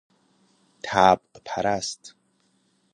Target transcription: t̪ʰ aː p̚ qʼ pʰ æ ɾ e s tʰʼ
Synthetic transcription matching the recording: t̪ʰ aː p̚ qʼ pʰ a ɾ a s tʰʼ